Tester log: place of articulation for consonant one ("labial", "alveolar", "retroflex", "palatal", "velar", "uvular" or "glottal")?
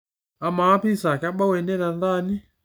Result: labial